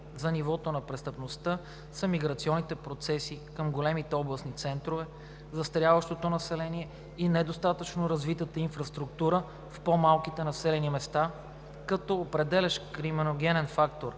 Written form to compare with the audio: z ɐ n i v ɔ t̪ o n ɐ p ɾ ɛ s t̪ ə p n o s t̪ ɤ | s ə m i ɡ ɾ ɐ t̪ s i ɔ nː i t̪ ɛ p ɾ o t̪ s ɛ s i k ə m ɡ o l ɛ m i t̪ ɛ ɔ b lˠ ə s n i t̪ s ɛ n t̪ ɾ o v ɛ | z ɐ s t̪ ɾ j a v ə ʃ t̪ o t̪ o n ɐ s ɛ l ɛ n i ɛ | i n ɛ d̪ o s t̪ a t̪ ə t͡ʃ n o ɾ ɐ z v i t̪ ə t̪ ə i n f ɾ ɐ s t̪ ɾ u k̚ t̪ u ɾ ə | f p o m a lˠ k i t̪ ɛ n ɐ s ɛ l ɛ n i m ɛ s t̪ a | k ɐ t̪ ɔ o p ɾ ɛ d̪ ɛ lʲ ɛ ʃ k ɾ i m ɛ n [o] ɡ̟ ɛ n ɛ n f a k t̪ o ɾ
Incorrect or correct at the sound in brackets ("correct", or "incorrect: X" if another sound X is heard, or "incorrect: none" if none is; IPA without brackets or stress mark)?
correct